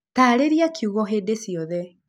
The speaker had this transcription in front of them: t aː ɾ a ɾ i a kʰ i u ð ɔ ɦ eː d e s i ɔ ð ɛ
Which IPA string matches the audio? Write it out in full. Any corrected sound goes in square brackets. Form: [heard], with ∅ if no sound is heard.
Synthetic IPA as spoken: t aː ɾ [e] ɾ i a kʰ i u [ɣ] ɔ ɦ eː d e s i ɔ ð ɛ